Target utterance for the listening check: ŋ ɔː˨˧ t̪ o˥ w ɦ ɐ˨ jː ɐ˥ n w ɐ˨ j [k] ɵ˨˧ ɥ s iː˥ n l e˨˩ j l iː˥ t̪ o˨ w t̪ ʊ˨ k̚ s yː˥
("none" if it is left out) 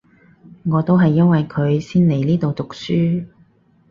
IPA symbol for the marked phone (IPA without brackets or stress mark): kʰ